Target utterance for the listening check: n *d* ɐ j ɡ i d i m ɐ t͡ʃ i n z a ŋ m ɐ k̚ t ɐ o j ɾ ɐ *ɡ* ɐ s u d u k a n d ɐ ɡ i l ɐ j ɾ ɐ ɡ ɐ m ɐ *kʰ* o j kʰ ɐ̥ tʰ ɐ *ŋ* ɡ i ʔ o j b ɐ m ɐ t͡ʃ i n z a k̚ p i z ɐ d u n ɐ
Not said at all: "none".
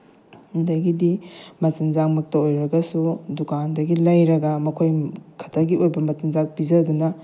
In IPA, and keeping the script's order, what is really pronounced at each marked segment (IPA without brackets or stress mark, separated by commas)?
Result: d, ɡ, kʰ, none